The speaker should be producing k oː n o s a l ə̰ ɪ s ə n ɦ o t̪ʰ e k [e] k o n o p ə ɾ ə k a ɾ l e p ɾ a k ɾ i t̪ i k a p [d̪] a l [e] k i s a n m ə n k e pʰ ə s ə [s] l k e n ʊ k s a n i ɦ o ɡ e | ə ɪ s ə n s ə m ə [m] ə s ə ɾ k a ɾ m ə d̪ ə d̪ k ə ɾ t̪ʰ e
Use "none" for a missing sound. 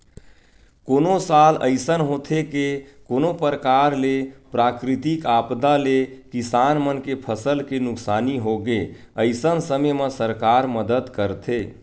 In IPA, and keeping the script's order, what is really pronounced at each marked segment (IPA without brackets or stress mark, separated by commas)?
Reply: e, d̪, e, none, m